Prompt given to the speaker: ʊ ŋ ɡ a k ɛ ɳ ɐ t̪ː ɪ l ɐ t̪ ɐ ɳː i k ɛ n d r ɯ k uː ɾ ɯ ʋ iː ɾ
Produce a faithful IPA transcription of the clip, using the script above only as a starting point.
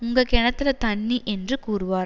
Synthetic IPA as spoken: ʊ ŋ ɡ ɐ k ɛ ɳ ɐ t̪ː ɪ l ɐ t̪ ɐ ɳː i ʔ ɛ n d r ɯ k uː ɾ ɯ ʋ aː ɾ